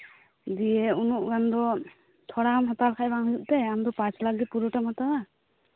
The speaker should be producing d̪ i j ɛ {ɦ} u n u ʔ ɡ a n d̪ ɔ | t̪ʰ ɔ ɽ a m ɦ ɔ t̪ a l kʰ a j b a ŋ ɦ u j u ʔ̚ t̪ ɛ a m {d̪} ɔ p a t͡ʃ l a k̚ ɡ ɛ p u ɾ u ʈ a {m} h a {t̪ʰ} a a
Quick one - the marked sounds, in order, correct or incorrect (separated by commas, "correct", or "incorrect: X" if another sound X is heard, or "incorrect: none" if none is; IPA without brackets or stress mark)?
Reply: incorrect: none, correct, correct, incorrect: t̪